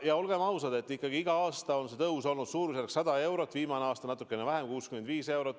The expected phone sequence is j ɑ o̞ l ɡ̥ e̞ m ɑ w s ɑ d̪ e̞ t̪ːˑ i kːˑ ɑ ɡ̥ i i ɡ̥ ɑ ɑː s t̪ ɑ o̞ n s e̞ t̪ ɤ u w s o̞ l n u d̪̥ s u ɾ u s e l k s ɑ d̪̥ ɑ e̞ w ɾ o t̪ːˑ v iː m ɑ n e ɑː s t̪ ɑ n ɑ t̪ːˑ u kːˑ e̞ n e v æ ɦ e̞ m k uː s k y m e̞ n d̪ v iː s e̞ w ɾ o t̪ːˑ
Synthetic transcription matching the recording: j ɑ o̞ l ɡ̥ e̞ m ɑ w s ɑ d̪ e̞ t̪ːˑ i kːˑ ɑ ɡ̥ i i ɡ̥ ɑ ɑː s t̪ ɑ o̞ n s e̞ t̪ ɤ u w s o̞ l n u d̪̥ s uː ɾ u s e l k s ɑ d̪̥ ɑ e̞ w ɾ o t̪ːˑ v iː m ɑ n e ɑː s t̪ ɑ n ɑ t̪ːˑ u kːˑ e̞ n e v æ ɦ e̞ m k uː s k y m e̞ n d̪ v iː s e̞ w ɾ o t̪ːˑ